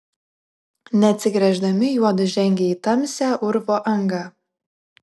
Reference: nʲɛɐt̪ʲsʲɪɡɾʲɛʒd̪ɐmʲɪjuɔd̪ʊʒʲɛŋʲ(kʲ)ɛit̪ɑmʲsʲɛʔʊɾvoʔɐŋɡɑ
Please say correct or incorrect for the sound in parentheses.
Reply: incorrect